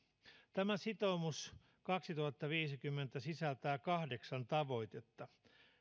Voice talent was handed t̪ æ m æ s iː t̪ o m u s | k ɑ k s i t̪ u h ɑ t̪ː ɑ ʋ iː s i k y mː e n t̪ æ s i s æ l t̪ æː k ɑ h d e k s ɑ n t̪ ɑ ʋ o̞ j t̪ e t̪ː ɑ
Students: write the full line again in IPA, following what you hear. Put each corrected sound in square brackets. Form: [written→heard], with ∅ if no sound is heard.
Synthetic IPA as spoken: t̪ æ m æ s [iː→i] t̪ o m u s | k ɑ k s i t̪ u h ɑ t̪ː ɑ ʋ iː s i k y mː e n t̪ æ s i s æ l t̪ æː k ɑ h d e k s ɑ n t̪ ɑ ʋ o̞ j t̪ e t̪ː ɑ